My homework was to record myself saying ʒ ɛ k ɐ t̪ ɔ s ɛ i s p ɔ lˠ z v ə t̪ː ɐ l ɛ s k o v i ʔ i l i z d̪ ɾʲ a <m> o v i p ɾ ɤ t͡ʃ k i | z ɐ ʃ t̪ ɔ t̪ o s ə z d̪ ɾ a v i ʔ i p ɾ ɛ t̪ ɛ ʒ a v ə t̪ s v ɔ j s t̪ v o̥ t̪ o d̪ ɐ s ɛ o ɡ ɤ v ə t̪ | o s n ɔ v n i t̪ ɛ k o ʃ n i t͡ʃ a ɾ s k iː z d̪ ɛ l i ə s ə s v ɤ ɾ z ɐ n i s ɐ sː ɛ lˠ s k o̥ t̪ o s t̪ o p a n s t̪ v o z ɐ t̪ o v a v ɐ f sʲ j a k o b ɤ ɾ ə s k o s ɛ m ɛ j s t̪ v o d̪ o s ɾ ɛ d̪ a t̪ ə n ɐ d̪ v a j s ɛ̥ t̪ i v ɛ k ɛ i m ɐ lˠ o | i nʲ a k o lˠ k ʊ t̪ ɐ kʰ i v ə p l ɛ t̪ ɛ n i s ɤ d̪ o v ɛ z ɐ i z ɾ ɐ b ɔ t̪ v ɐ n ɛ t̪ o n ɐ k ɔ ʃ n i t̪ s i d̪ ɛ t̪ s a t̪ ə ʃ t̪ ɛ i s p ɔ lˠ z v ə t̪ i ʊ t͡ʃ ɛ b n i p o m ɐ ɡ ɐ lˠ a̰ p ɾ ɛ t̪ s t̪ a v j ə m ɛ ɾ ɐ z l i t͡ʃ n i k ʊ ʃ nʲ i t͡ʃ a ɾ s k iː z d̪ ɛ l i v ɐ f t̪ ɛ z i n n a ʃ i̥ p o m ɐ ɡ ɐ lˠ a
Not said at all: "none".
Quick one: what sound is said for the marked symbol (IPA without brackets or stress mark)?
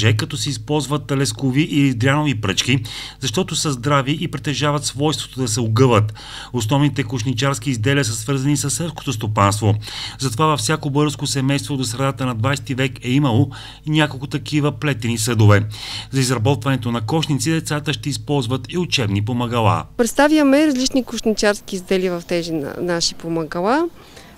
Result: n